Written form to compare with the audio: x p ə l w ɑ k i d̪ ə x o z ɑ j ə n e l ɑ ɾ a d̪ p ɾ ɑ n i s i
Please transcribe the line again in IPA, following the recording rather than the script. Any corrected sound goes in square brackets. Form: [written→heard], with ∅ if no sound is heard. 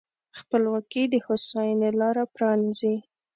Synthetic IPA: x p ə l w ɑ k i d̪ ə [x→h] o [z→s] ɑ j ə n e l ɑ ɾ a [d̪→∅] p ɾ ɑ n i [s→z] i